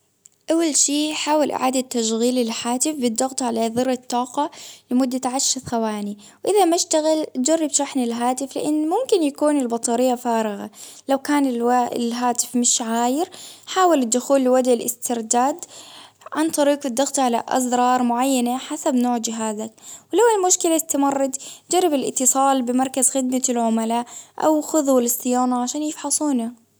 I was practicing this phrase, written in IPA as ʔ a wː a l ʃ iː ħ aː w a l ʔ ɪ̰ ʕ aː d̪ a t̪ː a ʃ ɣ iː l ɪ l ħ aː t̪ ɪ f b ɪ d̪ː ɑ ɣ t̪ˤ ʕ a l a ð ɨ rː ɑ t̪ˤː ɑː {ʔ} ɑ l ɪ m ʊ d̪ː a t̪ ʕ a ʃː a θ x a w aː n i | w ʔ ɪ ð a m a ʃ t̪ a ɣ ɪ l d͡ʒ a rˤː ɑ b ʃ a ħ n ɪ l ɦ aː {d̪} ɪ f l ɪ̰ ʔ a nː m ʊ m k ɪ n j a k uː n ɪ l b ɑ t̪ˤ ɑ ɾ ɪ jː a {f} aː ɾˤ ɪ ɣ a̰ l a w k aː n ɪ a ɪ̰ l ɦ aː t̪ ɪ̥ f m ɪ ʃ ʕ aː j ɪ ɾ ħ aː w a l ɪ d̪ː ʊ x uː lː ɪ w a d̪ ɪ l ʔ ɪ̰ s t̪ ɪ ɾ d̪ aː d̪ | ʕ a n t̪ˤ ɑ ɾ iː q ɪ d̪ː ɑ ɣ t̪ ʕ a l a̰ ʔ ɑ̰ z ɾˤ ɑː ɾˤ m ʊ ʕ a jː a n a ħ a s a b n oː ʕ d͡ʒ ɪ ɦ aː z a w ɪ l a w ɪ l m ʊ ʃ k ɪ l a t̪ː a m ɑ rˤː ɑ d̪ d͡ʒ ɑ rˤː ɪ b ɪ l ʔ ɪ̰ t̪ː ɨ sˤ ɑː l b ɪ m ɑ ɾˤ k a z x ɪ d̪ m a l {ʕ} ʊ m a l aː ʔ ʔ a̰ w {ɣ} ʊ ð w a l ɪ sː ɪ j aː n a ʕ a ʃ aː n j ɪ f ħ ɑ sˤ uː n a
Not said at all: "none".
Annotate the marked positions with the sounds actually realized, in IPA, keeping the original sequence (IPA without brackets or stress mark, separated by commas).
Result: q, t̪, f, ʕ, x